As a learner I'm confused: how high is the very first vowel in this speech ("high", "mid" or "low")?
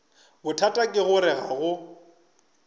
high